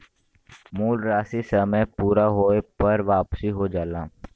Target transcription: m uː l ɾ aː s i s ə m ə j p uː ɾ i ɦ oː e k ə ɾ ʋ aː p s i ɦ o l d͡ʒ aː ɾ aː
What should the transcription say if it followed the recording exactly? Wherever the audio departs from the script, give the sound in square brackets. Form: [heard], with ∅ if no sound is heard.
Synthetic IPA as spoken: m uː l ɾ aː s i s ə m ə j p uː ɾ [a] ɦ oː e [p] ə ɾ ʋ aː p s i ɦ o [∅] d͡ʒ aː [l] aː